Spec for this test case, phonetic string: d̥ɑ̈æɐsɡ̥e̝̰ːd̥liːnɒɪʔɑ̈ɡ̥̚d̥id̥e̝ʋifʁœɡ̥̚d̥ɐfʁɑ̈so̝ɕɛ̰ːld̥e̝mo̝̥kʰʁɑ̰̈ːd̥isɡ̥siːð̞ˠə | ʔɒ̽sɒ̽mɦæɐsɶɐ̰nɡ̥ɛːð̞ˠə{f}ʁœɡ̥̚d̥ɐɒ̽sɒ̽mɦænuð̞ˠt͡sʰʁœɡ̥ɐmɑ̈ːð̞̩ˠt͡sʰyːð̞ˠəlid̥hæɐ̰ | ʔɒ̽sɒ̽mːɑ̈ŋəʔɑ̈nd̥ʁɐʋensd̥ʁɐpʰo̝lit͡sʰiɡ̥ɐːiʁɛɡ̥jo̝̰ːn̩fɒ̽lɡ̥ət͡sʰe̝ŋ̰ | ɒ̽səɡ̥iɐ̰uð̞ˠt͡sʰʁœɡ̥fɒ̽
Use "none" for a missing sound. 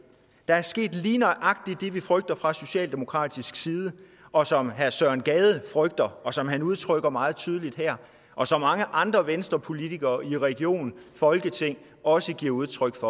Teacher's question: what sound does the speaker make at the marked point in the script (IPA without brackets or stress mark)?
f